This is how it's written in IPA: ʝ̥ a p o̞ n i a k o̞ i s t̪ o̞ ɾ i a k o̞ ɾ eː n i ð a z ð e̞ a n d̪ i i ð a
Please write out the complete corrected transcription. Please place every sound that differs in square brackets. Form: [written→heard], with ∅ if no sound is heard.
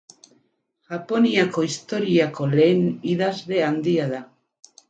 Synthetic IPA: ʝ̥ a p o̞ n i a k o̞ i s t̪ o̞ ɾ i a k o̞ [ɾ→l] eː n i ð a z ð e̞ a n d̪ i [i→a] ð a